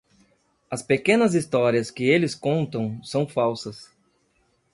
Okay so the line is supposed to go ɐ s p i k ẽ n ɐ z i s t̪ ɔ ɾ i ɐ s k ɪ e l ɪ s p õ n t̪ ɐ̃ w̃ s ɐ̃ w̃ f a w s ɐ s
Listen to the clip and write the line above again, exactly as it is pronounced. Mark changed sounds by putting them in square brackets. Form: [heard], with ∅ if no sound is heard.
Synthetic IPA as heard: ɐ s p [e] k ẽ n ɐ z i s t̪ ɔ ɾ i ɐ s k ɪ e l ɪ s [k] õ n t̪ ɐ̃ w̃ s ɐ̃ w̃ f a w s ɐ s